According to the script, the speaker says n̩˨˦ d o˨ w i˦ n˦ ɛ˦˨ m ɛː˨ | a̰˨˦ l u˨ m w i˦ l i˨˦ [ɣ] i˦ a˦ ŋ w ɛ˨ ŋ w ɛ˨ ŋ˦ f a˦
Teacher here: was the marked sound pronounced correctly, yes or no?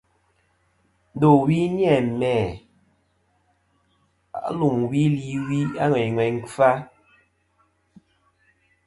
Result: no